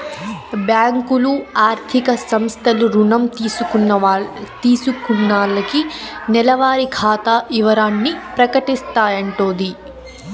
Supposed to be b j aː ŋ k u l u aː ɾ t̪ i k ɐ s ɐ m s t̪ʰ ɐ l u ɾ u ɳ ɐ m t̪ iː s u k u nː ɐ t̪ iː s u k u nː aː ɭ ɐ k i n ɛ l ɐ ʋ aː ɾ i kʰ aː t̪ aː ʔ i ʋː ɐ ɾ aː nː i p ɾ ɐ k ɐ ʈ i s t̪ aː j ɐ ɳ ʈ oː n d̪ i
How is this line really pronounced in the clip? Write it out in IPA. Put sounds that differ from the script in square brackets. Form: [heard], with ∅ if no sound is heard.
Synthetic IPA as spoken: b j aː ŋ k u l u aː ɾ [t̪ʰ] i k ɐ s ɐ m s t̪ʰ ɐ l u ɾ u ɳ ɐ m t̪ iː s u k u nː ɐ t̪ iː s u k u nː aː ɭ ɐ k i n ɛ l ɐ ʋ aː ɾ i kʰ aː t̪ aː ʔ i [ʋ] ɐ ɾ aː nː i p ɾ ɐ k ɐ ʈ i s t̪ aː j ɐ ɳ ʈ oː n d̪ i